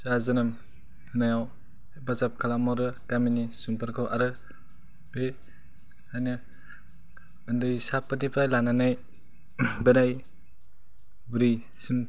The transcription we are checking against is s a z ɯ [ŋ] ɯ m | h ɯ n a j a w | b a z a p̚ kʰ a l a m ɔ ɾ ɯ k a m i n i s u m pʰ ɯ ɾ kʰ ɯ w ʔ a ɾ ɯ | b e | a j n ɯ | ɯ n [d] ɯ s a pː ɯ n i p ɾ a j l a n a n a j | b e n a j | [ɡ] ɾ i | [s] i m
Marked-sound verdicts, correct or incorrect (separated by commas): incorrect, correct, incorrect, correct